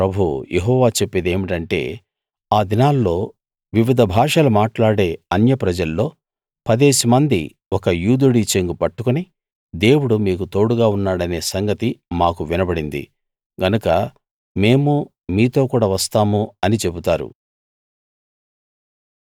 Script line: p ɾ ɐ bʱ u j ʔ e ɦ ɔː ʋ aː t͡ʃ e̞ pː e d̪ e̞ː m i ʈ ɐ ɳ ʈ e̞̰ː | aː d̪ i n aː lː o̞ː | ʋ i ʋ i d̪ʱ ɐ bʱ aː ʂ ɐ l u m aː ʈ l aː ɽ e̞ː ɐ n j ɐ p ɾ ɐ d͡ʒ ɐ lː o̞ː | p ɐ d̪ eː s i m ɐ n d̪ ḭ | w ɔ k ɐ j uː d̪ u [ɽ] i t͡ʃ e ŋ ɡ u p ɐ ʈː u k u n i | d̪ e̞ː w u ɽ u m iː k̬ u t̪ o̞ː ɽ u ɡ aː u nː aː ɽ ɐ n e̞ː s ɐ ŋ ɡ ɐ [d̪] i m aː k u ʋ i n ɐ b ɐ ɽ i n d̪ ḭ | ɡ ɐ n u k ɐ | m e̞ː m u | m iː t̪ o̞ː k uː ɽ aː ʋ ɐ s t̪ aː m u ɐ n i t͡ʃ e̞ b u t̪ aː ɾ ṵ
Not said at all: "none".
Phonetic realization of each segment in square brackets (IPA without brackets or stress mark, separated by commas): ɽ, t̪